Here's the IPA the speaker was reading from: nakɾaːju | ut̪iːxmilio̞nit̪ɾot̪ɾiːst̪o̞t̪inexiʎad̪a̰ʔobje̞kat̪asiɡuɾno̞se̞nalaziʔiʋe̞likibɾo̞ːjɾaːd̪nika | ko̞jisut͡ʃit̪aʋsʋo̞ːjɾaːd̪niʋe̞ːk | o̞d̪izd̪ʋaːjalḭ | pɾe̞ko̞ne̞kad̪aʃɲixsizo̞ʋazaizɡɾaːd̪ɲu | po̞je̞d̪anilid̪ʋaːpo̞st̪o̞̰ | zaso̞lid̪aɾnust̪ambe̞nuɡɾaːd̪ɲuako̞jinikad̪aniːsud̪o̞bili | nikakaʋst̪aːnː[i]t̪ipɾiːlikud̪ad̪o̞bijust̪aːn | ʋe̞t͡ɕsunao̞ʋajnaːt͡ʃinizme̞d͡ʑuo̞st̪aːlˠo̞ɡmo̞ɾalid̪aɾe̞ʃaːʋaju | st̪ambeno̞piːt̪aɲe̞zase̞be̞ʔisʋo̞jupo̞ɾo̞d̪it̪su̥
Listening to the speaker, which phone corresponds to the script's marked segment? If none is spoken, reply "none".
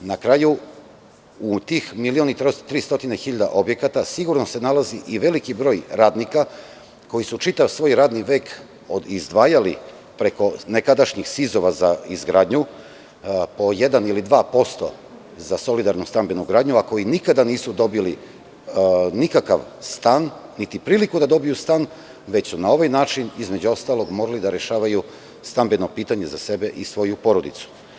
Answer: i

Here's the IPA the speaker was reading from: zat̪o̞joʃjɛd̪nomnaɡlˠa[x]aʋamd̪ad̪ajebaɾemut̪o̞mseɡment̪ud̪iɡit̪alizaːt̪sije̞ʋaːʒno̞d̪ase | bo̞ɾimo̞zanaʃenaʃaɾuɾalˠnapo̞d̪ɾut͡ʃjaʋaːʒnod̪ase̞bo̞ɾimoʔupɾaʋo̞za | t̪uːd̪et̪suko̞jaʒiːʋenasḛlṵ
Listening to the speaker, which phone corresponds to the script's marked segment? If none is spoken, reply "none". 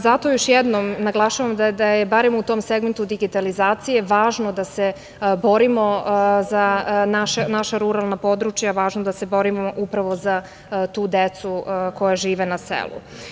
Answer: ʃ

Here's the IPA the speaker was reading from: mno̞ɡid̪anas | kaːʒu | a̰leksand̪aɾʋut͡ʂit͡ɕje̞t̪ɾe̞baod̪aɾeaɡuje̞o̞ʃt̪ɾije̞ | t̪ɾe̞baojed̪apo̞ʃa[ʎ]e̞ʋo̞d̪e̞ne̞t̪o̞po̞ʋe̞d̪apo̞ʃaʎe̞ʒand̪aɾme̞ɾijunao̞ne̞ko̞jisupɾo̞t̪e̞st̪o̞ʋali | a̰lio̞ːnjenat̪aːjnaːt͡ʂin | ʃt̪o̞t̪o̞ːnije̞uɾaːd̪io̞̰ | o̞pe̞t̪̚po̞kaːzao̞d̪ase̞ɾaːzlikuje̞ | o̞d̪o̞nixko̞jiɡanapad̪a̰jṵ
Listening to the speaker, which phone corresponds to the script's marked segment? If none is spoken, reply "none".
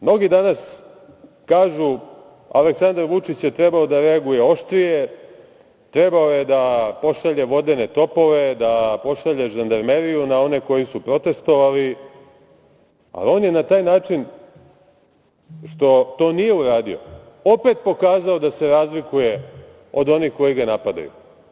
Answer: ʎ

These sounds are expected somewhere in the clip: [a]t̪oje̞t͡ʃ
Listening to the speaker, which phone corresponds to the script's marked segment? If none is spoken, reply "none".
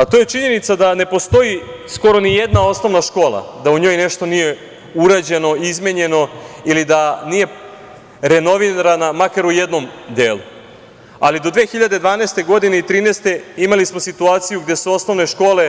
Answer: a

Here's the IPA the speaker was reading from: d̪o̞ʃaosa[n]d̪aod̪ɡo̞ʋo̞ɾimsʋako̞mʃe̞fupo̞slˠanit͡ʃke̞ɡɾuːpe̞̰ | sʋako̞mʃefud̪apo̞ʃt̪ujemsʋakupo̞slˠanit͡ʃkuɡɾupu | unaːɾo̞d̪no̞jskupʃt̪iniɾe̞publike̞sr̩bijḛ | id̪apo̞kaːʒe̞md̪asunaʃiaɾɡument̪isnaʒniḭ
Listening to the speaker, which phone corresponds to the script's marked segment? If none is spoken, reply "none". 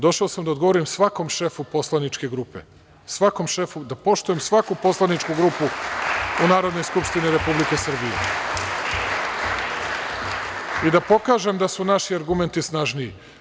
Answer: m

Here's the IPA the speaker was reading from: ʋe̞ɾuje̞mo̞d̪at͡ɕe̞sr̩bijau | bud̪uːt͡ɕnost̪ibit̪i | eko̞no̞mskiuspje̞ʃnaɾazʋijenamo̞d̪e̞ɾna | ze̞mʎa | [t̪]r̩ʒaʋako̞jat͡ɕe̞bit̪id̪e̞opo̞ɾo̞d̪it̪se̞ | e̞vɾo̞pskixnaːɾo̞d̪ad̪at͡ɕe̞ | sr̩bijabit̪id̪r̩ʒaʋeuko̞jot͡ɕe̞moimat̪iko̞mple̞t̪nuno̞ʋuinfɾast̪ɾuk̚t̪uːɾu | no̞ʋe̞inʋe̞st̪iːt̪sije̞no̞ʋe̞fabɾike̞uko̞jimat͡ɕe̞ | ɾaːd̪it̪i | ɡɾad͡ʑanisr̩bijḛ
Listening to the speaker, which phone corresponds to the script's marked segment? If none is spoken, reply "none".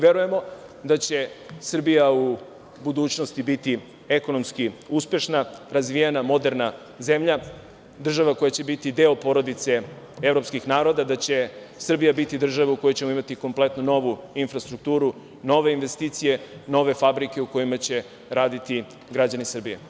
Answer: d̪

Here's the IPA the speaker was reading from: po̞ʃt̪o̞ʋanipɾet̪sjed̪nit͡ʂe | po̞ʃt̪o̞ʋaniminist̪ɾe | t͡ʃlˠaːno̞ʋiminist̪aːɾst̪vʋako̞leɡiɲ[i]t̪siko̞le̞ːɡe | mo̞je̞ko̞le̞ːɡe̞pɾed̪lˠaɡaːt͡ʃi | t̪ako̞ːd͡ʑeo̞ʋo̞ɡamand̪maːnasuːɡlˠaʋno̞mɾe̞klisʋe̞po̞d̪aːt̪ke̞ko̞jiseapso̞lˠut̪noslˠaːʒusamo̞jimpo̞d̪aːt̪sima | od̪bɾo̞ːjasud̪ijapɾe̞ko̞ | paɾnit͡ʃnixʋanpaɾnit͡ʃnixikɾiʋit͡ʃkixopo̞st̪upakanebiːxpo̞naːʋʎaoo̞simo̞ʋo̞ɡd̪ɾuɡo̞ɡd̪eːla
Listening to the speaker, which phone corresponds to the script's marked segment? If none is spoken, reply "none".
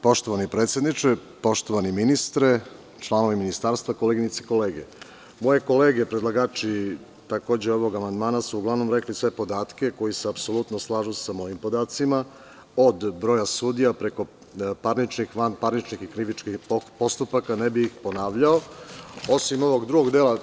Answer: i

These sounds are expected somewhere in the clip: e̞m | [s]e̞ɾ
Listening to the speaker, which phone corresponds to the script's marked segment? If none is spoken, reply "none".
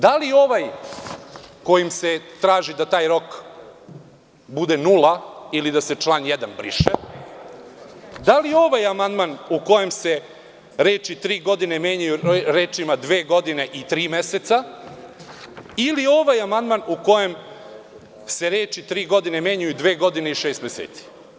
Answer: s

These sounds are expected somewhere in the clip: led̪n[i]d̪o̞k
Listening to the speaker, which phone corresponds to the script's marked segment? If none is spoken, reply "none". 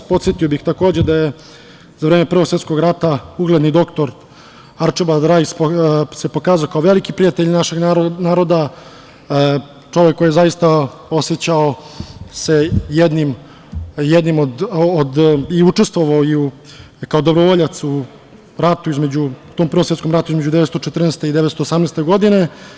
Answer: i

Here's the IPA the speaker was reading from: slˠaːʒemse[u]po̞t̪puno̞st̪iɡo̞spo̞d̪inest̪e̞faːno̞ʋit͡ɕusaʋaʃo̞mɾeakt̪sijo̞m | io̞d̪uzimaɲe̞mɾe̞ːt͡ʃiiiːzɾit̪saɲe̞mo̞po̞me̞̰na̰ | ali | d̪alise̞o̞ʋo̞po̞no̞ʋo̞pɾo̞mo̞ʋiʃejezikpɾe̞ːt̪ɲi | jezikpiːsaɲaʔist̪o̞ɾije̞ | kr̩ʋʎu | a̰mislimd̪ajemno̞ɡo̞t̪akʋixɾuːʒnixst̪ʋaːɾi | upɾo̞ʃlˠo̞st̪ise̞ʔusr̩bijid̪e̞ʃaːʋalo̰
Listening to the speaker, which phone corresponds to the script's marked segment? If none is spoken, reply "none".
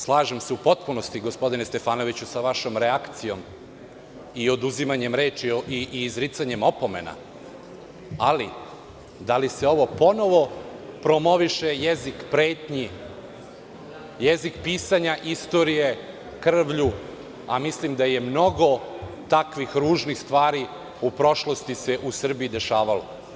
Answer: u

